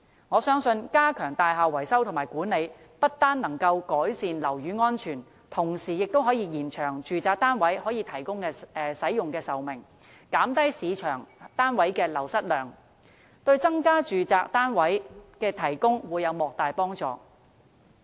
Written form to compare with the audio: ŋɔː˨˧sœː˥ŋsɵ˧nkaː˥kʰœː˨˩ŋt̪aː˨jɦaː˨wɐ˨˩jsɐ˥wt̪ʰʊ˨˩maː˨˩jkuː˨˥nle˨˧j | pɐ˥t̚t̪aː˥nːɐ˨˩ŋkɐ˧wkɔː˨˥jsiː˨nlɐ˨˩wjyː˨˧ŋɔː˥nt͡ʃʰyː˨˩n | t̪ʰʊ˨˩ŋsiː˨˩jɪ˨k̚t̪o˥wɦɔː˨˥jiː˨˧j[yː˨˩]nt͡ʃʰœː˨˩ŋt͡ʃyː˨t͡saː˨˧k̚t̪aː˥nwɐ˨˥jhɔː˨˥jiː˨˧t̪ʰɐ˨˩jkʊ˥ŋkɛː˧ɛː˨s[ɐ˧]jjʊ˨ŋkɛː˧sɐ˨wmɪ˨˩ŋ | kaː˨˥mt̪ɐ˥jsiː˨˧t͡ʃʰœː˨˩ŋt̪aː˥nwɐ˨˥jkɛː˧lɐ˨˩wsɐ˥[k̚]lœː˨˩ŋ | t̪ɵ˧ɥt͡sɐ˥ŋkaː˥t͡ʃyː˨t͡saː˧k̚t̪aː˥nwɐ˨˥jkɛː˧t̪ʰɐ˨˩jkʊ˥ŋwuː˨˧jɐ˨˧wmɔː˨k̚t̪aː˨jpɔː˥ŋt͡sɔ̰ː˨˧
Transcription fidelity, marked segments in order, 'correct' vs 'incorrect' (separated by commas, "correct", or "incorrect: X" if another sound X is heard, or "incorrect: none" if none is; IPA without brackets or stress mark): incorrect: iː˨˩, incorrect: ɐ˨˥, incorrect: t̚